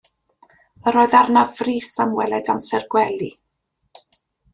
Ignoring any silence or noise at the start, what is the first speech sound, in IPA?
ə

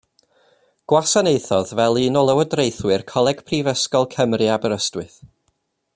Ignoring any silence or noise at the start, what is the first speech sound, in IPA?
ɡ̥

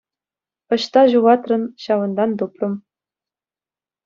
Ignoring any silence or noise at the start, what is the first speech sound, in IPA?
ɤ̆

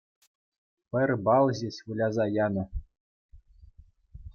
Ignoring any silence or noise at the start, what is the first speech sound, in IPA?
p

